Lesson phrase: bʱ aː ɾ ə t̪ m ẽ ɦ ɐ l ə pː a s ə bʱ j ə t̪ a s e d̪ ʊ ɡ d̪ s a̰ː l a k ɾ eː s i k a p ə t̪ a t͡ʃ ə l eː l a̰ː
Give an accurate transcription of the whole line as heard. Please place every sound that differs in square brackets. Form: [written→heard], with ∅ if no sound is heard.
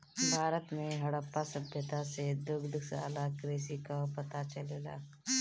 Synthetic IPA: bʱ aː ɾ ə t̪ m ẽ ɦ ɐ [l→ɽ] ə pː a s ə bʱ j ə t̪ a s e d̪ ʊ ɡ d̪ s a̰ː l a k ɾ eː s i k a p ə t̪ a t͡ʃ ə l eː l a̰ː